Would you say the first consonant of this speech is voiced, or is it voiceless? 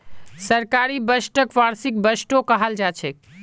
voiceless